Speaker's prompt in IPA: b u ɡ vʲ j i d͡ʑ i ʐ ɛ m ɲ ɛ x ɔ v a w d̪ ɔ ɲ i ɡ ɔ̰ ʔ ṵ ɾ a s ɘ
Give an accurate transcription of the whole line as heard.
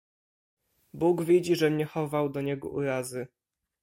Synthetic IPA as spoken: b u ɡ vʲ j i d͡ʑ i ʐ ɛ m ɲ ɛ x ɔ v a w d̪ ɔ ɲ ɛ ɡ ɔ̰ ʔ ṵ ɾ a z ɘ